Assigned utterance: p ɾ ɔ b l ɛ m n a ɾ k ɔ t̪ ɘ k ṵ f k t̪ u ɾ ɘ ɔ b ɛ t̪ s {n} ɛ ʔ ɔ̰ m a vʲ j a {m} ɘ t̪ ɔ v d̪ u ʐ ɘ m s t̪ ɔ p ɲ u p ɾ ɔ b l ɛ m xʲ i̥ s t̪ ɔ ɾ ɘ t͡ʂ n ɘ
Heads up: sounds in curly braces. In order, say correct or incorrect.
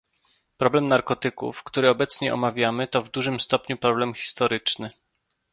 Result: incorrect: ɲ, correct

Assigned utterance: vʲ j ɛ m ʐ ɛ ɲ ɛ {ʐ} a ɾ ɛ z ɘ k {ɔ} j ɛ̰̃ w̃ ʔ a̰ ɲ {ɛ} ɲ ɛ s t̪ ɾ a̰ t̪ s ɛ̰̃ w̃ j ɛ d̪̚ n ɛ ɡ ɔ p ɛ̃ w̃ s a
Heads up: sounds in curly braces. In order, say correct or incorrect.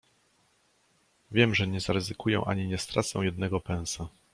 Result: incorrect: z, incorrect: u, incorrect: i

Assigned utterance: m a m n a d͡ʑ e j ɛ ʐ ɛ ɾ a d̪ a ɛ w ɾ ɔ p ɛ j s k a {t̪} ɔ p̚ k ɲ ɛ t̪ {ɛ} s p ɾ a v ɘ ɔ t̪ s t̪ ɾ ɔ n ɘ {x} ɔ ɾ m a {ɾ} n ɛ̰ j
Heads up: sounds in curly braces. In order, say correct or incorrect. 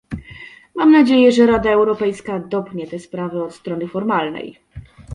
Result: incorrect: d̪, correct, incorrect: f, incorrect: l

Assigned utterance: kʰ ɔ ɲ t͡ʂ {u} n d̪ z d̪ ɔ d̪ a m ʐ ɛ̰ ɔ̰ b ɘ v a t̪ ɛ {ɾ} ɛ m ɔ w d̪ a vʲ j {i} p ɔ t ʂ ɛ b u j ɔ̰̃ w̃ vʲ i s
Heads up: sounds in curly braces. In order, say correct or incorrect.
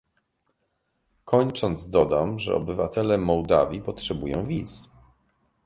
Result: incorrect: ɔ, incorrect: l, correct

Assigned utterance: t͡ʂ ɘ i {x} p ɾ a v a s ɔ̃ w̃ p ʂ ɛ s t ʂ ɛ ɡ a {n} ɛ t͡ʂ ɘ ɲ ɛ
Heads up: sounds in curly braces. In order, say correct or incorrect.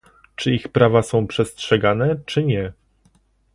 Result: correct, correct

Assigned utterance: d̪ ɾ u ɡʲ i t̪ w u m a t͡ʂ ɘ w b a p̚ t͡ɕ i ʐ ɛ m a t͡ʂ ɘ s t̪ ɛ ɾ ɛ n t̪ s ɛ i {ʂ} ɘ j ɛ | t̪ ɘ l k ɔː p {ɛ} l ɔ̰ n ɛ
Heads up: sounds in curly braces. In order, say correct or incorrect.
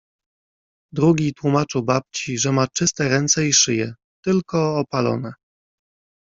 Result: correct, incorrect: a

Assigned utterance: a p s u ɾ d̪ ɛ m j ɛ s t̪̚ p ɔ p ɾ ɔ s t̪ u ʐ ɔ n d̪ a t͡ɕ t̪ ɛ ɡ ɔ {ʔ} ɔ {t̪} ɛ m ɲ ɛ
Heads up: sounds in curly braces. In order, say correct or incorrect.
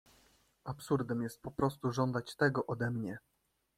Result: correct, incorrect: d̪

